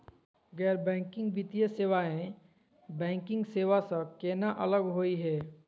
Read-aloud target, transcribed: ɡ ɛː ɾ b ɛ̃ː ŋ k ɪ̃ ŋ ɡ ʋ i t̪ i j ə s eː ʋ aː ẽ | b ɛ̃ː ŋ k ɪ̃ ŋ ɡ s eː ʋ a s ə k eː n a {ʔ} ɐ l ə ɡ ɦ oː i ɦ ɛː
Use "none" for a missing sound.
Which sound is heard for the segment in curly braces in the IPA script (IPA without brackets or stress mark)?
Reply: ʔ